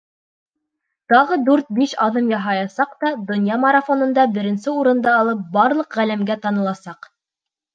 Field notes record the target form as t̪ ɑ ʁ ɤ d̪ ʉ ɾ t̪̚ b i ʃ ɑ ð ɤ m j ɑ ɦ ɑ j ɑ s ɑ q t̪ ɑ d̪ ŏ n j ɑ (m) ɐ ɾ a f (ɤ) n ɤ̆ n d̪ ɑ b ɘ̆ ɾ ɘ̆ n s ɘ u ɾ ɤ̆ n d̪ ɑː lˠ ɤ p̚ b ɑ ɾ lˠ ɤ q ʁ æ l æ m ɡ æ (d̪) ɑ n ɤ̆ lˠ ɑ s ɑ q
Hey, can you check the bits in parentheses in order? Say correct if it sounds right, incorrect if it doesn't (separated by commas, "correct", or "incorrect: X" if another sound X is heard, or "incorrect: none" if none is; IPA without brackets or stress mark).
correct, incorrect: o, incorrect: t̪